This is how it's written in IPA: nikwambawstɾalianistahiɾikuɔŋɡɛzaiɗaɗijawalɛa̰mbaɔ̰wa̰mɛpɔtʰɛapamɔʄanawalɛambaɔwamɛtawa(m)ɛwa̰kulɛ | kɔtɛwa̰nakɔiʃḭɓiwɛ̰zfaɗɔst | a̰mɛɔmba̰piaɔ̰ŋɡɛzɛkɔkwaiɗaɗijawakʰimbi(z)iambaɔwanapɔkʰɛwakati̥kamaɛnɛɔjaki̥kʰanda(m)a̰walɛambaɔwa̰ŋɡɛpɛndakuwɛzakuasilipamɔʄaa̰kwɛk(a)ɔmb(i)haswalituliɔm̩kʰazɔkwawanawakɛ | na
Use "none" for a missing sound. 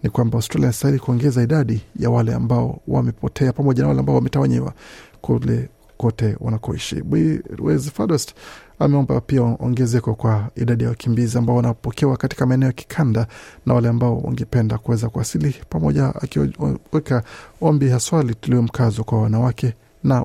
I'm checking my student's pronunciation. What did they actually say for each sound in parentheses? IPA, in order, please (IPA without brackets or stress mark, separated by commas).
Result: ɲ, z, n, a, i